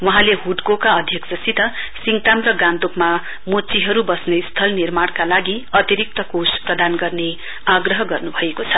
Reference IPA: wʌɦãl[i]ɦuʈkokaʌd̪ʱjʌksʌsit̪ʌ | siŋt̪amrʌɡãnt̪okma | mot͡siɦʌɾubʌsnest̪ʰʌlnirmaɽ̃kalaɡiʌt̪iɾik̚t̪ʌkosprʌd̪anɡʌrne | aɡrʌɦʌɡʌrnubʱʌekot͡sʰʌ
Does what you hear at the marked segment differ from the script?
yes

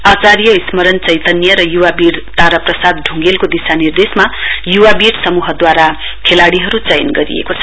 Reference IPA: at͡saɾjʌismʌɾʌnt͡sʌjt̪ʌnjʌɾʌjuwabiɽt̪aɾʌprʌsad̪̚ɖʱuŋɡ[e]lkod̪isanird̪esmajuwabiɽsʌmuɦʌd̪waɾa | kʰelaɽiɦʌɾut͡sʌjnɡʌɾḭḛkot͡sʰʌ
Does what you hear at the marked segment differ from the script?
no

